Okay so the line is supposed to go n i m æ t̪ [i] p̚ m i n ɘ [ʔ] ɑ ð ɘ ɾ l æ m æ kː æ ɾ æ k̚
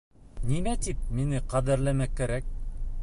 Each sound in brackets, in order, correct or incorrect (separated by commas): correct, incorrect